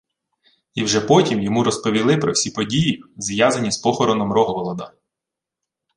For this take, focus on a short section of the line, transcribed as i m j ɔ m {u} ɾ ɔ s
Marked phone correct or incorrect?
correct